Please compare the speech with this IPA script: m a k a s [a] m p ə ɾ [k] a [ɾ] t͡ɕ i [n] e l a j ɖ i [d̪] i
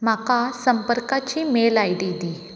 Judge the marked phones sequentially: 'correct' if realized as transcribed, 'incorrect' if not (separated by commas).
incorrect, correct, incorrect, incorrect, correct